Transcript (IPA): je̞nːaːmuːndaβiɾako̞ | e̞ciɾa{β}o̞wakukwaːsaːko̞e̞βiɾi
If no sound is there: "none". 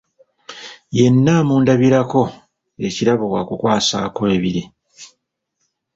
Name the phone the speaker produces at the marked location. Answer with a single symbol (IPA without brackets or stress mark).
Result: β